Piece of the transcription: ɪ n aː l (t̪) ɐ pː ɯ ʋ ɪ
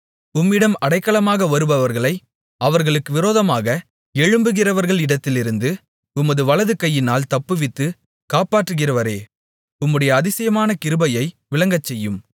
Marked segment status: correct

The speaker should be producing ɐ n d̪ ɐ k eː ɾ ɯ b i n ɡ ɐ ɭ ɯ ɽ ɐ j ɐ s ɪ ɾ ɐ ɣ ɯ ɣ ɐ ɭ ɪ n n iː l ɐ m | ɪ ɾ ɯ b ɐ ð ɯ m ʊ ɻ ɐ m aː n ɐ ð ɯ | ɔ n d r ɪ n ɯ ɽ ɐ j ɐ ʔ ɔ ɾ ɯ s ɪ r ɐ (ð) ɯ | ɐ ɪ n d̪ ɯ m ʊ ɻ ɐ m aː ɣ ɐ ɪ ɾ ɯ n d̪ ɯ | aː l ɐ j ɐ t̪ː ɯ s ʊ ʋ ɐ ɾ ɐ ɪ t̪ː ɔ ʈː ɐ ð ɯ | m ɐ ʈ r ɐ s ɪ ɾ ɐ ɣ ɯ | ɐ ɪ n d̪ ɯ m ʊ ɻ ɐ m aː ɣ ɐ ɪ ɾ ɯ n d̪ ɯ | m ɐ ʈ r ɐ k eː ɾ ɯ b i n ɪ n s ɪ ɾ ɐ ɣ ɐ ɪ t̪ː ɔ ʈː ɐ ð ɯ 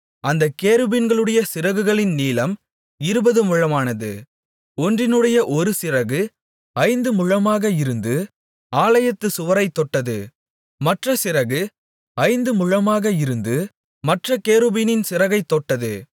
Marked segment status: incorrect: ɣ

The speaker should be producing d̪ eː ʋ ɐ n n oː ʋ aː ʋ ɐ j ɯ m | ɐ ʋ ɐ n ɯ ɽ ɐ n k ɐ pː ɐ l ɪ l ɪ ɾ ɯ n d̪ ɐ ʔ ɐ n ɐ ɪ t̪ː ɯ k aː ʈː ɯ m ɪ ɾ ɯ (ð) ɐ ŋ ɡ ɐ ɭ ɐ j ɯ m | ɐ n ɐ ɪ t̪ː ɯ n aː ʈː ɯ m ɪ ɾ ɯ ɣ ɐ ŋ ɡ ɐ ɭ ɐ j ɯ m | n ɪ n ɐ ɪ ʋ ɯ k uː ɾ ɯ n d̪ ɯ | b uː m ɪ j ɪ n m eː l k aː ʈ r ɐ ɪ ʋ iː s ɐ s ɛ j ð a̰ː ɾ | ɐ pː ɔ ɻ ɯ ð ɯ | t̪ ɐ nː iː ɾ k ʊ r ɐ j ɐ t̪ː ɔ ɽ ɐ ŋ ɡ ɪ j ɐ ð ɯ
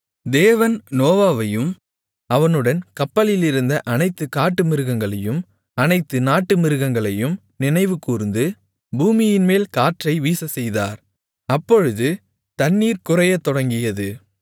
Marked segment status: incorrect: ɣ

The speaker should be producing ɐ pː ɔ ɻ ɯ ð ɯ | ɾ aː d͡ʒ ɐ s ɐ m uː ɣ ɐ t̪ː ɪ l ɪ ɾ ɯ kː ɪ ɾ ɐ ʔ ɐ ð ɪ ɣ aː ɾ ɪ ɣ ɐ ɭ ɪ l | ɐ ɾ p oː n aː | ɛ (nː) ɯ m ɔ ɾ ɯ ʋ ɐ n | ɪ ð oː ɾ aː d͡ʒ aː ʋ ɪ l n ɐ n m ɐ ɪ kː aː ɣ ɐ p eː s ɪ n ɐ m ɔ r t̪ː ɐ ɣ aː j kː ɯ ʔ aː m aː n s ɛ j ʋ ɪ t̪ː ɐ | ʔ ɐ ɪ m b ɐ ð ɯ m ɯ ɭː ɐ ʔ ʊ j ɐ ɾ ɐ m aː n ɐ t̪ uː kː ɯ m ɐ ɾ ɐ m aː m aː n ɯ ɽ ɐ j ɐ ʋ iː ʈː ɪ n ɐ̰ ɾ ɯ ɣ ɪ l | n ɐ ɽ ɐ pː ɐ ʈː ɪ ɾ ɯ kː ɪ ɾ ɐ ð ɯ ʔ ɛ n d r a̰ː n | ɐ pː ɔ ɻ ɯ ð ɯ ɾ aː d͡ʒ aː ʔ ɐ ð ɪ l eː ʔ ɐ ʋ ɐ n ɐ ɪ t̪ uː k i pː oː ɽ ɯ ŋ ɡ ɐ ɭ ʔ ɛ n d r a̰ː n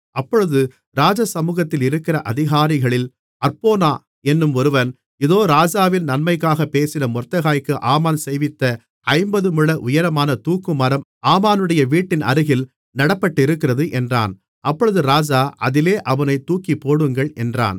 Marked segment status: correct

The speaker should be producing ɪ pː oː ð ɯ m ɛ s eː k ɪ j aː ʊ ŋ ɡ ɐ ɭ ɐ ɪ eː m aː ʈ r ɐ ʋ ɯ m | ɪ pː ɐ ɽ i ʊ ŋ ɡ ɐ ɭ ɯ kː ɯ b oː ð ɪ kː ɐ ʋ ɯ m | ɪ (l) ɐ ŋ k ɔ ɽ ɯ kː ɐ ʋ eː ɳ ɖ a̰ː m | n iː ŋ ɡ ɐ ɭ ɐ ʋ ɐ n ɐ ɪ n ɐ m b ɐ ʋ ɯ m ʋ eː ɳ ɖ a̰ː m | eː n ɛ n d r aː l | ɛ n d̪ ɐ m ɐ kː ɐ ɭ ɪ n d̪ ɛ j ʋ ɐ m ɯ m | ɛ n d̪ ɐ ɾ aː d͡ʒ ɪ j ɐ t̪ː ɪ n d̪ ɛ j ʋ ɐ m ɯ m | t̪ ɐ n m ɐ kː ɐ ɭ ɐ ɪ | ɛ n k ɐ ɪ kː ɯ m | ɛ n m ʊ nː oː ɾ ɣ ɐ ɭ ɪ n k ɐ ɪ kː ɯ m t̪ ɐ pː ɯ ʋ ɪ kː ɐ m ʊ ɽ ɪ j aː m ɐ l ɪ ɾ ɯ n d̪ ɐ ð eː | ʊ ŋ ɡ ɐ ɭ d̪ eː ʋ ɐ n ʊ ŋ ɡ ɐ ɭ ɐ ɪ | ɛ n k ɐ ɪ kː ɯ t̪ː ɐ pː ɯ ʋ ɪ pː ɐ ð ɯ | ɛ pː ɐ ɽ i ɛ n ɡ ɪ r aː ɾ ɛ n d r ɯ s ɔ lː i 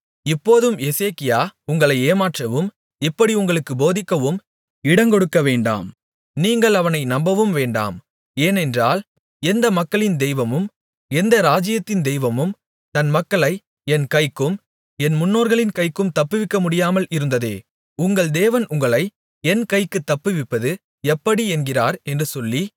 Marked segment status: incorrect: ɽ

